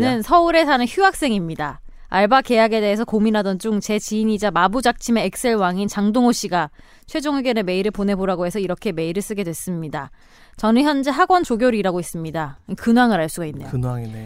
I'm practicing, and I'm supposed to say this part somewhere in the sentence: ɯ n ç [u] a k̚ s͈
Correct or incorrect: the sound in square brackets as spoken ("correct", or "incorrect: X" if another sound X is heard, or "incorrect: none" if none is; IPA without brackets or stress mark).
correct